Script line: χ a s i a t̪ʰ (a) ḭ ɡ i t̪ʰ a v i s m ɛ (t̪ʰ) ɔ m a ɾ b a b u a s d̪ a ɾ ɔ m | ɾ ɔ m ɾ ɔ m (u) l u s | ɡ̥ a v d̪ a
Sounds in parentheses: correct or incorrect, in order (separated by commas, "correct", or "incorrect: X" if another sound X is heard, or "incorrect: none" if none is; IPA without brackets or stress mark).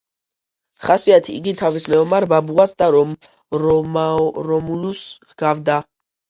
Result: incorrect: i, incorrect: none, correct